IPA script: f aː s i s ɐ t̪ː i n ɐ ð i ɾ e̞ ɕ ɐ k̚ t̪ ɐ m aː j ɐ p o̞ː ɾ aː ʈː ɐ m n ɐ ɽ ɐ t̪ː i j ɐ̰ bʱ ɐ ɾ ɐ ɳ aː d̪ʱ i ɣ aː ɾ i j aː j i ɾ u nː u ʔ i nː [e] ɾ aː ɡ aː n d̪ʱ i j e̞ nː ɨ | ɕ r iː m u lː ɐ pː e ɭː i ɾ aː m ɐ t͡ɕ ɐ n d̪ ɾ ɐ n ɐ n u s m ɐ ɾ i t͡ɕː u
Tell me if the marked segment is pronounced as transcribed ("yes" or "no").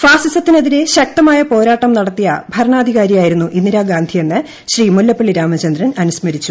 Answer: no